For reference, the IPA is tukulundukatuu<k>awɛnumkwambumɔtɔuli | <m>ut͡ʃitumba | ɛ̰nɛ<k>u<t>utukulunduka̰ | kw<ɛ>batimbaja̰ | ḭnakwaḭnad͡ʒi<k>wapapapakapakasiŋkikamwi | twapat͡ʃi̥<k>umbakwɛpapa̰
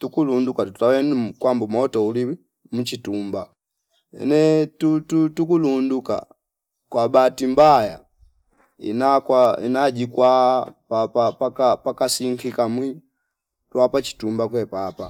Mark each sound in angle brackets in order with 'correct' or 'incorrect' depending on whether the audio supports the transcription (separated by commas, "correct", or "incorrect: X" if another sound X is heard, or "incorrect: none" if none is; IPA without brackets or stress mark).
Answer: incorrect: t, correct, incorrect: t, correct, incorrect: a, correct, incorrect: t